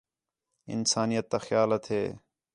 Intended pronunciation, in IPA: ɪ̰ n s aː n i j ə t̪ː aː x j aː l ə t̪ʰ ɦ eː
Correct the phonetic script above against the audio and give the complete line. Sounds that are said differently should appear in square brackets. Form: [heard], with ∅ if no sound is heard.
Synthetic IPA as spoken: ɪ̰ n s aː n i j ə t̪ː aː x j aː l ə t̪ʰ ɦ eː